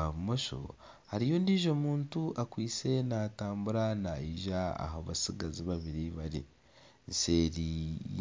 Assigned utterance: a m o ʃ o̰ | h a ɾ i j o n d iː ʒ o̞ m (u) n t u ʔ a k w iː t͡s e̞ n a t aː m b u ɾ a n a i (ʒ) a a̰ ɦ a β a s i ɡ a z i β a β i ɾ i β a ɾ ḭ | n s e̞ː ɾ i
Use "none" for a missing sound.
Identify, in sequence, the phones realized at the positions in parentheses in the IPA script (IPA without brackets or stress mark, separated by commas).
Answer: uː, ʒ